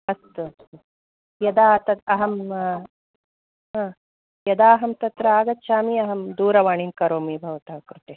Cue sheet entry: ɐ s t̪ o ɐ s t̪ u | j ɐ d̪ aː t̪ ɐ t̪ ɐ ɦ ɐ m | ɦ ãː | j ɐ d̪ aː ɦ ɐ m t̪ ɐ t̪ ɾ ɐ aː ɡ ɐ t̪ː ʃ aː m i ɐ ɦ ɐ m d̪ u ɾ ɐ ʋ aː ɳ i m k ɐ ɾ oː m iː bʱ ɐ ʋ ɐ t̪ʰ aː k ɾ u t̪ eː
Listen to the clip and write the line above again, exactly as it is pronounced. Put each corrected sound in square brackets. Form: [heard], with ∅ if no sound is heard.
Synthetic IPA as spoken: ɐ s t̪ [u] ɐ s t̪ u | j ɐ d̪ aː t̪ ɐ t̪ ɐ ɦ ɐ m | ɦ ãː | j ɐ d̪ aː ɦ ɐ m t̪ ɐ t̪ ɾ ɐ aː ɡ ɐ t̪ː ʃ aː m i ɐ ɦ ɐ m d̪ [uː] ɾ ɐ ʋ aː ɳ i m k ɐ ɾ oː m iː bʱ ɐ ʋ ɐ [t̪] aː k ɾ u t̪ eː